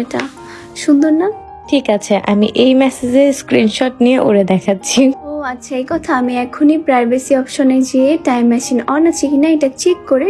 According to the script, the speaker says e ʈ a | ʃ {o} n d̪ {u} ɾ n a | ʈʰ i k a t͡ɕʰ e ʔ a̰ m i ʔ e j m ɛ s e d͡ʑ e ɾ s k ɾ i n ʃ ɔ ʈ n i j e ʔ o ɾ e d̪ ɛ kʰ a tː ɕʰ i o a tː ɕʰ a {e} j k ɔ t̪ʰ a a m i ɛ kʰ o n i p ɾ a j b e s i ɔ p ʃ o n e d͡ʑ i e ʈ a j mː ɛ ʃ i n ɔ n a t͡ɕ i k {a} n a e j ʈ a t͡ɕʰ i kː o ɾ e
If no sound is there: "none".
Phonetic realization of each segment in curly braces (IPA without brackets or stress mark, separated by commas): u, o, e, i